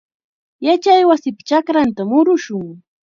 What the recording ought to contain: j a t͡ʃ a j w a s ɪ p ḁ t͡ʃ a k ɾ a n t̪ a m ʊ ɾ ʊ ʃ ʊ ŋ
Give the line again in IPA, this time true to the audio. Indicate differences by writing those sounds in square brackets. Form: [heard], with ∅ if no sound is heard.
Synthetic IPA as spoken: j a t͡ʃ a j w a s ɪ p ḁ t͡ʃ a k ɾ a n t̪ a m ʊ ɾ ʊ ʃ ʊ ŋ